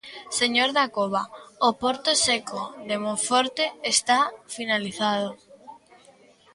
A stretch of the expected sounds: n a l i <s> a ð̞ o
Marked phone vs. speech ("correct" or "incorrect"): incorrect